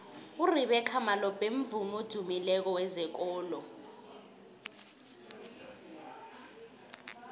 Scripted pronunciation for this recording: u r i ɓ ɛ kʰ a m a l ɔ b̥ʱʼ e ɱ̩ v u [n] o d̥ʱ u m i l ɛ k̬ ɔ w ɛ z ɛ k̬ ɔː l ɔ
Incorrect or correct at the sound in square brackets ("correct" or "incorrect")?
incorrect